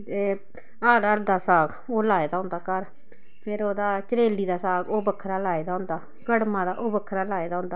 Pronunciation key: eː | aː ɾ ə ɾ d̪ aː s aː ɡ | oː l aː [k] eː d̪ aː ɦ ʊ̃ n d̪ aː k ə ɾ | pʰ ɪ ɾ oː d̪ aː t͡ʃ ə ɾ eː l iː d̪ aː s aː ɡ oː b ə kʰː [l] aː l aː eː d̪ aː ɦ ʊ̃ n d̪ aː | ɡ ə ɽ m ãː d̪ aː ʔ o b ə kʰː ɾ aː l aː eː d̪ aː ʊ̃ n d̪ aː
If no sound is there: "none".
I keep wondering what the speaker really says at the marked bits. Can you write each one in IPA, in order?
none, ɾ

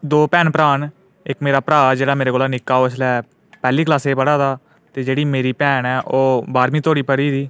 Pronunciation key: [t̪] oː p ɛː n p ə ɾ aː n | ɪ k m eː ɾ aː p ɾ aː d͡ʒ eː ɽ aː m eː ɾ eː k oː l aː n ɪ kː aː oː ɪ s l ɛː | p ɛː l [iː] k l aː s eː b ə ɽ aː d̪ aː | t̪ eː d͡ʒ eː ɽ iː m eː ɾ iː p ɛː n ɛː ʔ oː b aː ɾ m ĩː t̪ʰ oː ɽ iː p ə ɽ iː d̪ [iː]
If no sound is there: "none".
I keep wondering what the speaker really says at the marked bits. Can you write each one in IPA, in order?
d̪, iː, iː

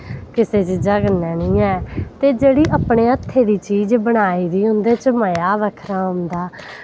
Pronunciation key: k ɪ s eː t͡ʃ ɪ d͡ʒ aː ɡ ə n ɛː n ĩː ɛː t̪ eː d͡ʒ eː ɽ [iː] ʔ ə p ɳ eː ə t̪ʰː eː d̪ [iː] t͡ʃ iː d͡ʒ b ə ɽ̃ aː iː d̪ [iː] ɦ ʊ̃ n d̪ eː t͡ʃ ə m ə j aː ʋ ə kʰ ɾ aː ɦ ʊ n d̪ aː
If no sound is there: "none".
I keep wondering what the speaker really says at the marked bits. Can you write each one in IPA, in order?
iː, iː, iː

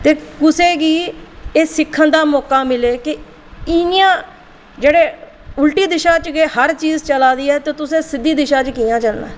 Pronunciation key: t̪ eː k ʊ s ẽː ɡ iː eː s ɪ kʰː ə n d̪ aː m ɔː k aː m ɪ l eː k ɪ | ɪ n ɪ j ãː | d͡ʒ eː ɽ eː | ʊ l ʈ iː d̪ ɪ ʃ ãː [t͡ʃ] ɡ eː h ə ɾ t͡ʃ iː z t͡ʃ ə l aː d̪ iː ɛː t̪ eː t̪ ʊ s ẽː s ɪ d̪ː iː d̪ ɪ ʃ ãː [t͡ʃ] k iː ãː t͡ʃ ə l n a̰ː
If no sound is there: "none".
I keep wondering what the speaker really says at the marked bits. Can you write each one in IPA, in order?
t͡ʃ, t͡ʃ

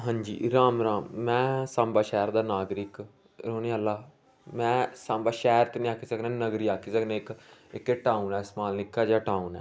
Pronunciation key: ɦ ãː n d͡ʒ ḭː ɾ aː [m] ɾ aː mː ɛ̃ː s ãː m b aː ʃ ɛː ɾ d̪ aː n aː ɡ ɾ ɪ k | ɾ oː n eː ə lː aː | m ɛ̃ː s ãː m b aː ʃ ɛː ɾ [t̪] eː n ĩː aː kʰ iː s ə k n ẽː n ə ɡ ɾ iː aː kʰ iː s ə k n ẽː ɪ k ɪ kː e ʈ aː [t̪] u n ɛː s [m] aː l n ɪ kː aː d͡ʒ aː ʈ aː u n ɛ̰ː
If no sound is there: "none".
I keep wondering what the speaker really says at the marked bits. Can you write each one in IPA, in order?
m, t̪, none, m

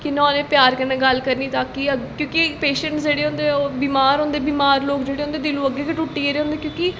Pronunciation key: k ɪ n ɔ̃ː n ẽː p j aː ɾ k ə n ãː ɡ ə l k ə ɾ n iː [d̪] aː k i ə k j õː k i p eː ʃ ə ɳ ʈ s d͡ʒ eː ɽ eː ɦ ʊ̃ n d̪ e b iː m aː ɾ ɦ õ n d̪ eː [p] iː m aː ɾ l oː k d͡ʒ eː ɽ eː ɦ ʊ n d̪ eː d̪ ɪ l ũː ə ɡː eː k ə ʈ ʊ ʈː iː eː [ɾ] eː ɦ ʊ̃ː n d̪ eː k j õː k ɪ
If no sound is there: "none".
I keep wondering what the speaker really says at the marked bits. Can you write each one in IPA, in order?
t̪, b, ɾ

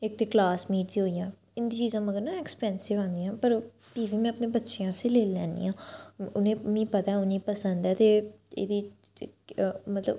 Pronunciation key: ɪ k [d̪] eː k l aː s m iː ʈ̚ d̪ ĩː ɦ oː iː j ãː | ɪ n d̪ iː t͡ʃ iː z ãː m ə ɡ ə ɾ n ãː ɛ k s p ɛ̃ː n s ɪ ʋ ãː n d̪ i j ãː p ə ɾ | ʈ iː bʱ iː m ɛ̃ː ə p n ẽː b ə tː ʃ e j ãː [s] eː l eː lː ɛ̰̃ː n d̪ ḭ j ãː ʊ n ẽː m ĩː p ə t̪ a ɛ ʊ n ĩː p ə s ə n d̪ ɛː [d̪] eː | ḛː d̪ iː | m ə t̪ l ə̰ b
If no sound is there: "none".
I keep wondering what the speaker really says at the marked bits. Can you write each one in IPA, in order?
t̪, s, t̪

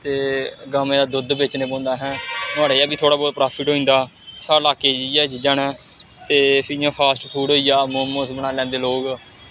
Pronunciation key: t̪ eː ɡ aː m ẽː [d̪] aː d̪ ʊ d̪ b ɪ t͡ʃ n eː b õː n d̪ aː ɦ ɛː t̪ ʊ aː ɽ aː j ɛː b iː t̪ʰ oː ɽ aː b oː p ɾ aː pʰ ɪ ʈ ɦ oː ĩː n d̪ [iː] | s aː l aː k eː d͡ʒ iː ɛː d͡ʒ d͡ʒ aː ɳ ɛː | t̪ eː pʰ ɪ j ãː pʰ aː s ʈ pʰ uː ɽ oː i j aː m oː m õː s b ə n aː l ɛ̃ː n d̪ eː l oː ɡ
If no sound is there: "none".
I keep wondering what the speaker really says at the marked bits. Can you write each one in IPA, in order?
d̪, aː

